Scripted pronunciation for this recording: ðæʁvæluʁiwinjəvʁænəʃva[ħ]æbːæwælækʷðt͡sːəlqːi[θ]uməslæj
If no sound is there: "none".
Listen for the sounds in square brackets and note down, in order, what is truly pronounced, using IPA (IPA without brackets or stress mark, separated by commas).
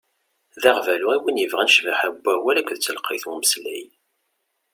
ħ, θ